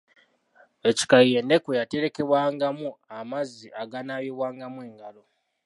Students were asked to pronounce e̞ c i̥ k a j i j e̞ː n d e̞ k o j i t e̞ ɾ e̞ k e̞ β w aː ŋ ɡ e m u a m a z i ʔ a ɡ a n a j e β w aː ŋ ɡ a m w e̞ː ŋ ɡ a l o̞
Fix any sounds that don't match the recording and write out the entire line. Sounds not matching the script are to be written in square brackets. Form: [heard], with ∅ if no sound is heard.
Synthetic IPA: e̞ c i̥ k a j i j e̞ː n d e̞ k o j [a] t e̞ ɾ e̞ k e̞ β w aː ŋ ɡ [a] m u a m a z i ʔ a ɡ a n a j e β w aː ŋ ɡ a m w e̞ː ŋ ɡ a l o̞